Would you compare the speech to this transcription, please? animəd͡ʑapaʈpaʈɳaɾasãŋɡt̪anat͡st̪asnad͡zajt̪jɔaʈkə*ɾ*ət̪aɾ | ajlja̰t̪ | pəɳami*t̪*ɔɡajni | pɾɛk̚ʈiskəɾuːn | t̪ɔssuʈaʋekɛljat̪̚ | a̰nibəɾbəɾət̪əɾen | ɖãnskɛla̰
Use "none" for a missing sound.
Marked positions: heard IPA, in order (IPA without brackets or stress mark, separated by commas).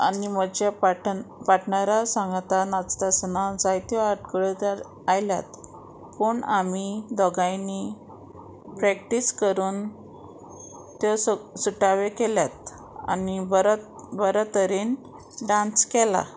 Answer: ɭ, d̪